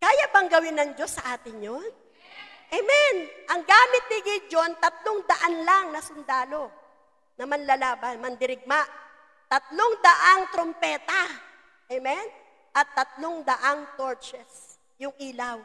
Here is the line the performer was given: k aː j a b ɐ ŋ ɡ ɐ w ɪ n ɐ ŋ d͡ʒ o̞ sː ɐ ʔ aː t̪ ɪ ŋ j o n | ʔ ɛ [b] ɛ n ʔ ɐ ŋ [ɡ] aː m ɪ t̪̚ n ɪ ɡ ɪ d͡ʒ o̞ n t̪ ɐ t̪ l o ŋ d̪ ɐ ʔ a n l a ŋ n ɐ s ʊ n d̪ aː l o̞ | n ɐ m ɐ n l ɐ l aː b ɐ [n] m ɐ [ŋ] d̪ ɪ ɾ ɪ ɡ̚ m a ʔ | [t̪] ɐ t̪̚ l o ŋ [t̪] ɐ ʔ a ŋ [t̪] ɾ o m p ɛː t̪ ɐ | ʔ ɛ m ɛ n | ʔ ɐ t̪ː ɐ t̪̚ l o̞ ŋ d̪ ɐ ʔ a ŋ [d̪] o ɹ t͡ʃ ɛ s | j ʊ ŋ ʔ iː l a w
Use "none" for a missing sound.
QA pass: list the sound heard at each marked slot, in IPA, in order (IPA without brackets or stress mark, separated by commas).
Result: m, ɡ, n, n, t̪, d̪, t̪, t̪